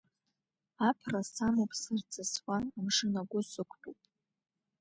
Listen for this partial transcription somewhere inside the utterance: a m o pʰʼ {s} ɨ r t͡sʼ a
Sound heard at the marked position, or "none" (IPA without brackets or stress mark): s